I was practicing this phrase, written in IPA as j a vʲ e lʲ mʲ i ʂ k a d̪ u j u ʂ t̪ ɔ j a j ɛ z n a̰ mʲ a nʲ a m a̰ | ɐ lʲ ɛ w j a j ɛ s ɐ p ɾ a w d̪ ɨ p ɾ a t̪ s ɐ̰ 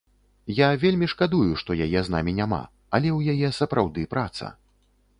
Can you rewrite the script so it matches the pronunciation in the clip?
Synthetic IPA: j a vʲ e lʲ mʲ i ʂ k a d̪ u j u ʂ t̪ ɔ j a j ɛ z n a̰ mʲ i nʲ a m a̰ | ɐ lʲ ɛ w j a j ɛ s ɐ p ɾ a w d̪ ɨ p ɾ a t̪ s ɐ̰